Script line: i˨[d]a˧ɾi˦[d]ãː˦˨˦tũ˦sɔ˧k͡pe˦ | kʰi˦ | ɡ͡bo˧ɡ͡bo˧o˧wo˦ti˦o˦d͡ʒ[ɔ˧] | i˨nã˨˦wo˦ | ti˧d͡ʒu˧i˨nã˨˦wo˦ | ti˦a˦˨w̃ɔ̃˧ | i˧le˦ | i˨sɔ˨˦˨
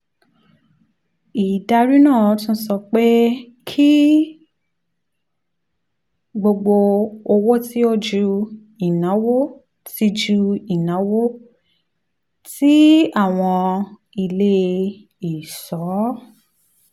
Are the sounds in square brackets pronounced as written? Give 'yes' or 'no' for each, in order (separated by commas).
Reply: yes, no, no